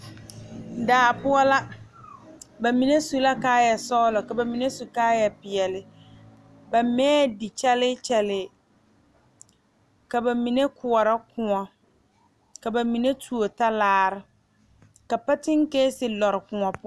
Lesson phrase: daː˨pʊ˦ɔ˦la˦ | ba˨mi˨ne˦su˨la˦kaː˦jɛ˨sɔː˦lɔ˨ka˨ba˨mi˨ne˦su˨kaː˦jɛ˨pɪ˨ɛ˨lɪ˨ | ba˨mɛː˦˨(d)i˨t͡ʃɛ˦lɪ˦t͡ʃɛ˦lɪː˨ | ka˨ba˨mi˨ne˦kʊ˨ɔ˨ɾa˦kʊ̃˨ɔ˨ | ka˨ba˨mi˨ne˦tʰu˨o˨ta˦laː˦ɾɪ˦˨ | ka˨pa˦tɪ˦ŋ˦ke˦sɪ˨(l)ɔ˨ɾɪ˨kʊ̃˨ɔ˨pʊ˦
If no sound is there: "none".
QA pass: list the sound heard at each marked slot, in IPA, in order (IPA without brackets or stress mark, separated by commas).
d, l